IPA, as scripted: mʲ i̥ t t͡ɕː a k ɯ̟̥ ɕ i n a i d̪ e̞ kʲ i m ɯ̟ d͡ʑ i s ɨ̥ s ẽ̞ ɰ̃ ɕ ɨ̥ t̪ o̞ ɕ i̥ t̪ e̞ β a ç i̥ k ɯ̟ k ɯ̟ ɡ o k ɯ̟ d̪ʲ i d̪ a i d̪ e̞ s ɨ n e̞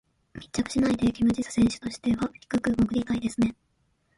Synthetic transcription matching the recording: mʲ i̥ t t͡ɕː a k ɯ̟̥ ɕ i n a i d̪ e̞ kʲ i m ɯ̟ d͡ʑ i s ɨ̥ s ẽ̞ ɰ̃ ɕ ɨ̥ t̪ o̞ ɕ i̥ t̪ e̞ β a ç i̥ k ɯ̟ k ɯ̟ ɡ o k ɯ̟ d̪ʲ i t̪ a i d̪ e̞ s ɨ n e̞